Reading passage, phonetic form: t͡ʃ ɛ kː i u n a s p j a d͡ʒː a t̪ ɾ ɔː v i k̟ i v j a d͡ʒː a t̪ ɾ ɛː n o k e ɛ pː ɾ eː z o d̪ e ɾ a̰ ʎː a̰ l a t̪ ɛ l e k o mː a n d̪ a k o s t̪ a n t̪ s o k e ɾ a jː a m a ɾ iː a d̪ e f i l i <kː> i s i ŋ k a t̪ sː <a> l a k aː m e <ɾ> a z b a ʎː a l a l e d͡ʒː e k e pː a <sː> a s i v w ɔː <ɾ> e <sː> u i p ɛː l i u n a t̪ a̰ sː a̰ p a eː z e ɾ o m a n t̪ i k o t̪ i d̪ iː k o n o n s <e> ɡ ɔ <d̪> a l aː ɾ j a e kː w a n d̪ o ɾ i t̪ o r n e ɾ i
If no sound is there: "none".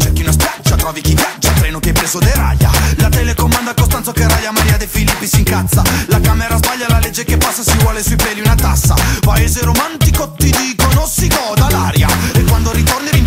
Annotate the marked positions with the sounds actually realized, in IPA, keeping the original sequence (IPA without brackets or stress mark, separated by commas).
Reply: pː, a, ɾ, sː, l, s, i, d̪